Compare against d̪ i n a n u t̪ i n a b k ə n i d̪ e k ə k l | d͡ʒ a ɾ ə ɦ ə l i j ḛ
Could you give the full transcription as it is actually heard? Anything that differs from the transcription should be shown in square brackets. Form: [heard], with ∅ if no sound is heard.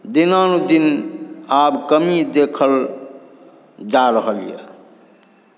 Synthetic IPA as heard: d̪ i n a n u [d̪] i n a b k ə [m] i d̪ e [kʰ] ə [∅] l | d͡ʒ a ɾ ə ɦ ə l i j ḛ